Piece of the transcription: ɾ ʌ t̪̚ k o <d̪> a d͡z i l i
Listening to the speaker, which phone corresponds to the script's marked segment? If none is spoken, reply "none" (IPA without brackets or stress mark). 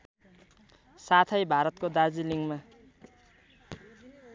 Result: d̪